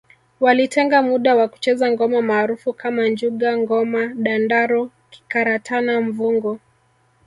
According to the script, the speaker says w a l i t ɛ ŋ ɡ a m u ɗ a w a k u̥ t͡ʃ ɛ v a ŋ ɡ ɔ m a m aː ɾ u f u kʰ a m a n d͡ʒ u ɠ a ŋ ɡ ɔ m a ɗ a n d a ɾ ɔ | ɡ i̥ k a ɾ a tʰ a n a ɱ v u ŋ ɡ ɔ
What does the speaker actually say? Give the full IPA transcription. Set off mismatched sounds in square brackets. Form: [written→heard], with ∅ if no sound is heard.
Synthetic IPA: w a l i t ɛ ŋ ɡ a m u ɗ a w a k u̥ t͡ʃ ɛ [v→z] a ŋ ɡ ɔ m a m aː ɾ u f u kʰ a m a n d͡ʒ u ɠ a ŋ ɡ ɔ m a ɗ a n d a ɾ ɔ | [ɡ→k] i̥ k a ɾ a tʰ a n a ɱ v u ŋ ɡ ɔ